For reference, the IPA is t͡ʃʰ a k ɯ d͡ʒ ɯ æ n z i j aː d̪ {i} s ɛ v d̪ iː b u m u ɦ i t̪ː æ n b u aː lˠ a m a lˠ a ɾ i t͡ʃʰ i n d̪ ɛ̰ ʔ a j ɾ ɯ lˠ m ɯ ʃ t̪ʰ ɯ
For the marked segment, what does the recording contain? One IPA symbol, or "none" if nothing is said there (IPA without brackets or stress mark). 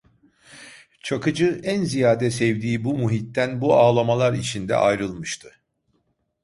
ɛ